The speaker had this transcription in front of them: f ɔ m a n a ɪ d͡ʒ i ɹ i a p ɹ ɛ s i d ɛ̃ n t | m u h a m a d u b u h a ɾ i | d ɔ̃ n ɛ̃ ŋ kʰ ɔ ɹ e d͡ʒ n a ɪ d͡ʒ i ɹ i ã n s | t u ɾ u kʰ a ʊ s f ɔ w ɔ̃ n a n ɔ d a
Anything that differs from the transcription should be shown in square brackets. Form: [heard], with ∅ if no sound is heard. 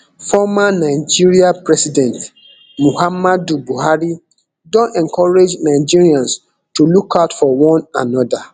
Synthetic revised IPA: f ɔ m a n a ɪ d͡ʒ i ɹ i a p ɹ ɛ s i d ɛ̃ n t | m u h a m a d u b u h a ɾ i | d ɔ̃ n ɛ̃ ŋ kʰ ɔ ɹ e d͡ʒ n a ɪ d͡ʒ i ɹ i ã n s | t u [l] u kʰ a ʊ [t] f ɔ w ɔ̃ n a n ɔ d a